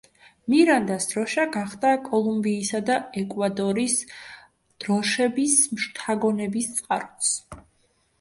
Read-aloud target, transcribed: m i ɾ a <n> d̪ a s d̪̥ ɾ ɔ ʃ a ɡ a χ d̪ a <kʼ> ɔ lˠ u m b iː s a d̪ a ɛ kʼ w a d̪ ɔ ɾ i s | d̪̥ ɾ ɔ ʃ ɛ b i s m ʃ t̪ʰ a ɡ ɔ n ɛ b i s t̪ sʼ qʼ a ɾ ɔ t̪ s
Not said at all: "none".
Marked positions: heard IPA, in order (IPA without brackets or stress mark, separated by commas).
n, kʼ